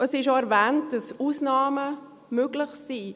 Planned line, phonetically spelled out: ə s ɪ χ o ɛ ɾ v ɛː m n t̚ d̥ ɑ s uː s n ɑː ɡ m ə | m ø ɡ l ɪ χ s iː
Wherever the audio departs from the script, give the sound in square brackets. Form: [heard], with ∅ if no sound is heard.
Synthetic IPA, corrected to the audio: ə s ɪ [ʃ] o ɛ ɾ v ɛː [∅] n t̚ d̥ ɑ s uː s n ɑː [∅] m ə | m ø ɡ l ɪ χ s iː

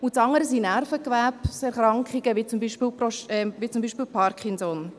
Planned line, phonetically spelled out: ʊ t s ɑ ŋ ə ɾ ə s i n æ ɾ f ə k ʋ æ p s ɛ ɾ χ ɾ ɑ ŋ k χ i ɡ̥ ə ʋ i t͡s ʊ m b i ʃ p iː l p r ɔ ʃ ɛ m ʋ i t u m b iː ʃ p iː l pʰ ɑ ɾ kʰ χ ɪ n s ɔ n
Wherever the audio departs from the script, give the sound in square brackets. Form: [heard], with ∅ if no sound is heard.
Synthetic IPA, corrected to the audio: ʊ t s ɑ ŋ ə ɾ ə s i n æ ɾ f ə k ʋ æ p s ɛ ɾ χ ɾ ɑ ŋ k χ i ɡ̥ ə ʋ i t͡s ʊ m b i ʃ p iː l p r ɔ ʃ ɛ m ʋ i [t͡s] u m b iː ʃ p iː l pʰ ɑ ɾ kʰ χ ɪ n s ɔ n

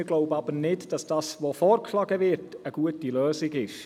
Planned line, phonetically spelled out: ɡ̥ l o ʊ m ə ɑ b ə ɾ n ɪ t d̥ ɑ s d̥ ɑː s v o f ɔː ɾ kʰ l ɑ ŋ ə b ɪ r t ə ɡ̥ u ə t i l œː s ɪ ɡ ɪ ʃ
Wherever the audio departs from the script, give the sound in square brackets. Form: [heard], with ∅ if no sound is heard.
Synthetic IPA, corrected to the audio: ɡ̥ l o ʊ [b] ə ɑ b ə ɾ n ɪ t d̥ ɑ s d̥ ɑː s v o f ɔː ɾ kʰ l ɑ [ɡ] ə [v] ɪ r t ə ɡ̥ u ə t i l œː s ɪ ɡ ɪ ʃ

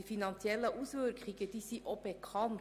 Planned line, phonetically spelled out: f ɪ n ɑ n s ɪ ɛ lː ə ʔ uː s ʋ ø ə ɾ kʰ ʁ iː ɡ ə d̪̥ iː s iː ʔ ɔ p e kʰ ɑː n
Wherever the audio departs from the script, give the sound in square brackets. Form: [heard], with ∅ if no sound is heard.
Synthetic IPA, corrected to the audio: f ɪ n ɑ n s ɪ ɛ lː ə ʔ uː s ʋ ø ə ɾ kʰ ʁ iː ɡ ə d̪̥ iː s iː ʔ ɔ p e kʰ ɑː n

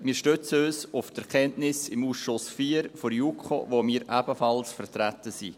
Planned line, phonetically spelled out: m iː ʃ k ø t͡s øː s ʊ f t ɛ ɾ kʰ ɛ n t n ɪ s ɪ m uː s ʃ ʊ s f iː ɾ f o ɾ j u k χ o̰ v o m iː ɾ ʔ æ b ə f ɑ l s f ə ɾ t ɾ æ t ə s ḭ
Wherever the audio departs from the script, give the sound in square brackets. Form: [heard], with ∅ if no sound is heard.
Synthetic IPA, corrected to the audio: m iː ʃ [t] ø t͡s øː s ʊ f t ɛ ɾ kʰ ɛ n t n ɪ s ɪ m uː s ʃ ʊ s f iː ɾ f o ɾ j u k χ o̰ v o m iː ɾ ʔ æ b ə f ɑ l s f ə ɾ t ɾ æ t ə s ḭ

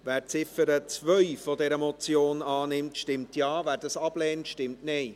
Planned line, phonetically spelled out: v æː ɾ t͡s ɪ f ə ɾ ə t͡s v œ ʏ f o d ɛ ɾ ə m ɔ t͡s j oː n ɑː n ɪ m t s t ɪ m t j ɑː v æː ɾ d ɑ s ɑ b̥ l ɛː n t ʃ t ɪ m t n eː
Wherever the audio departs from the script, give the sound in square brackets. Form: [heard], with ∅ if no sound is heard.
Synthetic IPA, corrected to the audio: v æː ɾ t͡s ɪ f ə ɾ ə t͡s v œ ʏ f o d ɛ ɾ ə m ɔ t͡s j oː n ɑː n ɪ m t [ʃ] t ɪ m t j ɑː v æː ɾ d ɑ s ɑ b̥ l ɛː n t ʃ t ɪ m t n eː

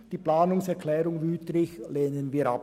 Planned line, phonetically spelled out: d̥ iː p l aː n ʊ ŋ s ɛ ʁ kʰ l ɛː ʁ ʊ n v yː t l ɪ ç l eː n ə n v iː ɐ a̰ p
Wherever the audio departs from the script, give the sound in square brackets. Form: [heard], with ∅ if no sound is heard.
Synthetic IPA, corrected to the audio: d̥ iː p l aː n ʊ ŋ s ɛ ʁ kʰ l ɛː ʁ ʊ [ŋ] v yː t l ɪ ç l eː n ə n v iː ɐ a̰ p

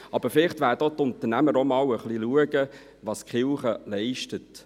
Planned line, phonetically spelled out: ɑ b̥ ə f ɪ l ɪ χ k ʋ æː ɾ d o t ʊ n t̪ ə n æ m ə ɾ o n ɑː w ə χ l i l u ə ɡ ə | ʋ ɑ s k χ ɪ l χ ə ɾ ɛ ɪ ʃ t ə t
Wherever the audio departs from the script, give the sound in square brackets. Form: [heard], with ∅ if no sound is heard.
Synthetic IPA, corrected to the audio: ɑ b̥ ə f ɪ l ɪ χ [t] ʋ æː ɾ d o t ʊ n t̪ ə n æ m ə ɾ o [m] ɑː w ə χ l i l u ə ɡ ə | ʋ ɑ s k χ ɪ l χ ə [l] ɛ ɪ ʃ t ə t

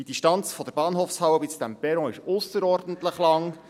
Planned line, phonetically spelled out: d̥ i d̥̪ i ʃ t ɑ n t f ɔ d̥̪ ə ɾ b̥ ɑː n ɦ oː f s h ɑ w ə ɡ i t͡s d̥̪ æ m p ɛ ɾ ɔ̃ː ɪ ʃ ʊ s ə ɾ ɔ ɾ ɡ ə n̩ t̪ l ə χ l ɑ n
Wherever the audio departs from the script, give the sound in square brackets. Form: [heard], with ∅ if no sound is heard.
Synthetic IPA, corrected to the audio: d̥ i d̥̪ i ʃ t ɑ n [t͡s] f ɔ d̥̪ ə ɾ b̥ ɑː n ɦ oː f s h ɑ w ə [b] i t͡s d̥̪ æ m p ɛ ɾ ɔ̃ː ɪ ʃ ʊ s ə ɾ ɔ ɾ [d] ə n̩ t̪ l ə χ l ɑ [ŋ]

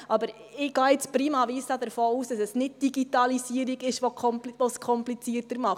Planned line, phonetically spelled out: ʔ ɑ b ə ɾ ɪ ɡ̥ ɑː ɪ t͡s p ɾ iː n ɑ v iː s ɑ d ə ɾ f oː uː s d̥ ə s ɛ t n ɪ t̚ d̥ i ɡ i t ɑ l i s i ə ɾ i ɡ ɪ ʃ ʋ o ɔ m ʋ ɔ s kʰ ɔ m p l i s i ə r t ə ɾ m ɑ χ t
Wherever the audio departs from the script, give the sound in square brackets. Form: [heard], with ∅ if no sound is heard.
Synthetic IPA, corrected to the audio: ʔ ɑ b ə ɾ ɪ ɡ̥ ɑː ɪ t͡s p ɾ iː [m] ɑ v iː s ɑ d ə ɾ f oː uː s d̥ [ɑ] s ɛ [s] n ɪ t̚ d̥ i ɡ i t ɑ l i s i ə ɾ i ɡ ɪ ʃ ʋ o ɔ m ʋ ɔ s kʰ ɔ m p l i [t͡s] i ə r t ə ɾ m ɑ χ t

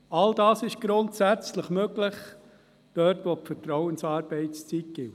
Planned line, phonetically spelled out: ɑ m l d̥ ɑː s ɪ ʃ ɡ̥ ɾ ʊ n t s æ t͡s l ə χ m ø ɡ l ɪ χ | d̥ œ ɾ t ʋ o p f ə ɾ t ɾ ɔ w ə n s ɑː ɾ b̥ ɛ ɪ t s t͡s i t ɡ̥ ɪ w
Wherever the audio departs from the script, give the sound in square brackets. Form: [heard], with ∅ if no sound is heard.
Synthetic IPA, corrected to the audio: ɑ [∅] l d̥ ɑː s ɪ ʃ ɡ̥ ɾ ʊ n t s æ t͡s l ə χ m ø ɡ l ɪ χ | d̥ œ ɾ t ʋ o p f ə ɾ t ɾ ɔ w ə n s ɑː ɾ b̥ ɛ ɪ t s t͡s i t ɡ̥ ɪ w

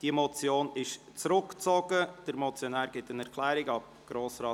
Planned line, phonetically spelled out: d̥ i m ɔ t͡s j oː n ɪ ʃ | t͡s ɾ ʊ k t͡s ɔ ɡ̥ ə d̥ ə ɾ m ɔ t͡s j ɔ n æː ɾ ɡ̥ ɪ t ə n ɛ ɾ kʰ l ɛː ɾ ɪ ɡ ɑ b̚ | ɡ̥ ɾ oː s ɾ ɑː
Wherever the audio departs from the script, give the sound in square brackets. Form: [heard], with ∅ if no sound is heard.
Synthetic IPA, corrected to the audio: d̥ i m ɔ t͡s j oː n ɪ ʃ | t͡s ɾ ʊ k t͡s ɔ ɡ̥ ə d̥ ə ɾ m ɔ t͡s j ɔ n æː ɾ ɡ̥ ɪ t ə n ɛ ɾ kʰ l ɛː ɾ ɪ ɡ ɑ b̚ | ɡ̥ ɾ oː s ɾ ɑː

